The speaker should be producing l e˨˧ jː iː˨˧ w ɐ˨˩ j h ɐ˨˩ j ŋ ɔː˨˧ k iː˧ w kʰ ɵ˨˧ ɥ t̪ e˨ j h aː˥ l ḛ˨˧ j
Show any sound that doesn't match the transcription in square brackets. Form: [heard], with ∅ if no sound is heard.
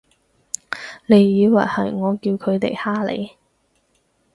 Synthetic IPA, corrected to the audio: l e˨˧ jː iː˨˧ w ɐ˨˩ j h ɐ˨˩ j ŋ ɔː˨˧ k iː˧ w kʰ ɵ˨˧ ɥ t̪ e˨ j h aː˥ l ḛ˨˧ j

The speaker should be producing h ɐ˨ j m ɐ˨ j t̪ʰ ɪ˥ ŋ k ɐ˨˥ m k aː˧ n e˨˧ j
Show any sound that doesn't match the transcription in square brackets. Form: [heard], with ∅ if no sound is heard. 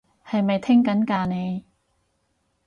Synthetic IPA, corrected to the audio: h ɐ˨ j m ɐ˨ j t̪ʰ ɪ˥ ŋ k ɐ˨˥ [n] k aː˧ n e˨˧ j

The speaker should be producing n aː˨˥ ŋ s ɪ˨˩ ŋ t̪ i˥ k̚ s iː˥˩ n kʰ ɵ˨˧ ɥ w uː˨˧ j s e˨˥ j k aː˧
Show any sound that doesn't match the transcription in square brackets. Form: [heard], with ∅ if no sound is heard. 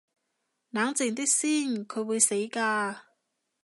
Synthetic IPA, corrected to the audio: n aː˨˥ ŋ [t͡s] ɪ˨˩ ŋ t̪ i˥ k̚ s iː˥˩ n kʰ ɵ˨˧ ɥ w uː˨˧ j s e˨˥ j k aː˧

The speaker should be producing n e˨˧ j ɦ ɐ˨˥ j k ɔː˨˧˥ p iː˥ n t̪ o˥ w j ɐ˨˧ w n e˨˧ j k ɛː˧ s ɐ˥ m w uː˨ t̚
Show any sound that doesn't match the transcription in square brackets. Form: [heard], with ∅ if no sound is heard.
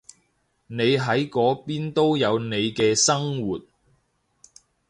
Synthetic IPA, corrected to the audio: n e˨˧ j ɦ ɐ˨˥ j k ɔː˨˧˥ p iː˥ n t̪ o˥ w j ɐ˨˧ w n e˨˧ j k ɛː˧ s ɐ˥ [ŋ] w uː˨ t̚

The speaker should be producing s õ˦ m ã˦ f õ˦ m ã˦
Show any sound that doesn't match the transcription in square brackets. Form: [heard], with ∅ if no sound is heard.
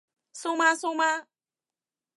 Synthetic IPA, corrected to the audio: s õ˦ m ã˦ [s] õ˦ m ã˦

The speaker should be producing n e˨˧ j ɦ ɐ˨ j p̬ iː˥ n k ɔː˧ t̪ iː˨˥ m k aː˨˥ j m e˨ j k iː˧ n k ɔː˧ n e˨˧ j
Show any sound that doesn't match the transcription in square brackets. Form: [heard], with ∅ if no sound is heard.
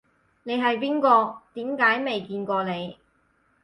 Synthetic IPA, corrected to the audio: n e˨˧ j ɦ ɐ˨ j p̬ iː˥ n k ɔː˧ t̪ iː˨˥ m k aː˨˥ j m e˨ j k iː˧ n k ɔː˧ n e˨˧ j

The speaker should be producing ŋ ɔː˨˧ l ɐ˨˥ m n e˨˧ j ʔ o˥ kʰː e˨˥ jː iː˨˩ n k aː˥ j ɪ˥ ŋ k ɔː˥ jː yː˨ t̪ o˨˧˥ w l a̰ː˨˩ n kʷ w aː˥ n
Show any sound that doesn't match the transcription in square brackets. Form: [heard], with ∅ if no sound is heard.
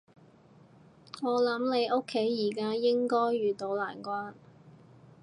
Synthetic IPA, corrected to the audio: ŋ ɔː˨˧ l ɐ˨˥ m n e˨˧ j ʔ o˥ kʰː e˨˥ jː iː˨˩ [∅] k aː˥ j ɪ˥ ŋ k ɔː˥ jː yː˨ t̪ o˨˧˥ w l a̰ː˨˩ n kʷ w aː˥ n

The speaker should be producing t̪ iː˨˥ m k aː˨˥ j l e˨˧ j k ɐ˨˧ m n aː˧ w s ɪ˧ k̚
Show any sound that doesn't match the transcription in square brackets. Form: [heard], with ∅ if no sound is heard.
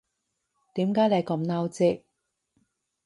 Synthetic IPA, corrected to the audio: t̪ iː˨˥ m k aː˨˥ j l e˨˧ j k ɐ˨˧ m n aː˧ w [t͡s] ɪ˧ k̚

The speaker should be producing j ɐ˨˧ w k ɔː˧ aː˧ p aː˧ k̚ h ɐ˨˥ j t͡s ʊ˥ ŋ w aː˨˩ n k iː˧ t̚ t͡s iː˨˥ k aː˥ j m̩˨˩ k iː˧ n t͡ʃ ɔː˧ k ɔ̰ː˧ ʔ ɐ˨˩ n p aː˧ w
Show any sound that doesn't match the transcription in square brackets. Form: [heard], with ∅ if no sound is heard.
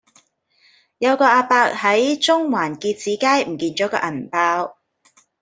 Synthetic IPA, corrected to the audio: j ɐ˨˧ w k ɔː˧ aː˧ p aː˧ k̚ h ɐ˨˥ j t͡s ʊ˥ ŋ w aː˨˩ n k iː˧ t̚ t͡s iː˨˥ k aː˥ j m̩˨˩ k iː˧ n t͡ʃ [ɔː˨˥] k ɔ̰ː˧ ʔ ɐ˨˩ n p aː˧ w

